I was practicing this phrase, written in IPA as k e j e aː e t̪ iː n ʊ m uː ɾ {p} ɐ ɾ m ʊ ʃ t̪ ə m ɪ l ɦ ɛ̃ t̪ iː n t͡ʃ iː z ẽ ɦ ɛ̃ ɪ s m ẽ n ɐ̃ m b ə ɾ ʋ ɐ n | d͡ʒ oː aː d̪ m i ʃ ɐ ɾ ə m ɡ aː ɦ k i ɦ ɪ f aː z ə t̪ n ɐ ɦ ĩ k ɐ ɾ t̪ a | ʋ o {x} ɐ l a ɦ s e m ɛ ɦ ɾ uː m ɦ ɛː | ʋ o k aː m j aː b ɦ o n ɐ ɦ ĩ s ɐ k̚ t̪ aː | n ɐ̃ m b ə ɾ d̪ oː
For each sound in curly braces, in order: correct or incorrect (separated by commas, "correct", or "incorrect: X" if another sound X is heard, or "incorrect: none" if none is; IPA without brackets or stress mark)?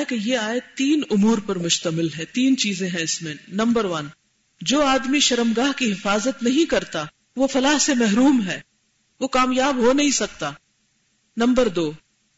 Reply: correct, incorrect: f